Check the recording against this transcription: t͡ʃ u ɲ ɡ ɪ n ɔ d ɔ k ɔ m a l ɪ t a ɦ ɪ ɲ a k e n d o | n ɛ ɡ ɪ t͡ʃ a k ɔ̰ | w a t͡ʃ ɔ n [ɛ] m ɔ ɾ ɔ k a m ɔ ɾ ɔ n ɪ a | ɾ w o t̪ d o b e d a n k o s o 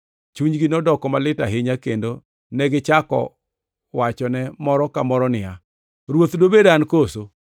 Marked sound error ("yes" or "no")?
no